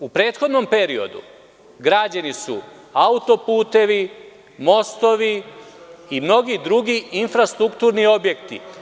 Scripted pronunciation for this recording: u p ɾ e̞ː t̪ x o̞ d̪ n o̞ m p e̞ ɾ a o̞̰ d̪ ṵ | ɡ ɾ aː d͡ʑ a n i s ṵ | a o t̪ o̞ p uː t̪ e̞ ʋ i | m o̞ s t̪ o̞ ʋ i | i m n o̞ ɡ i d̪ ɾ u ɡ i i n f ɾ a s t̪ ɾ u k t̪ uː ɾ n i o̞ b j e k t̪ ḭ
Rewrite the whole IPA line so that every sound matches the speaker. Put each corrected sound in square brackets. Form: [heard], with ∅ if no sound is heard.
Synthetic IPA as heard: u p ɾ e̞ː t̪ x o̞ d̪ n o̞ m p e̞ ɾ [i] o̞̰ d̪ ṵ | ɡ ɾ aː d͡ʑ a n i s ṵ | a [u] t̪ o̞ p uː t̪ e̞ ʋ i | m o̞ s t̪ o̞ ʋ i | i m n o̞ ɡ i d̪ ɾ u ɡ i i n f ɾ a s t̪ ɾ u k t̪ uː ɾ n i o̞ b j e k t̪ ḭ